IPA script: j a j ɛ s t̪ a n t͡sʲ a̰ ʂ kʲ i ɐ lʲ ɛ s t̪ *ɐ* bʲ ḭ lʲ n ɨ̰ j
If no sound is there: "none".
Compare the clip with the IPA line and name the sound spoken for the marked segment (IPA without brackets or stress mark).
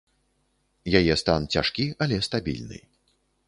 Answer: a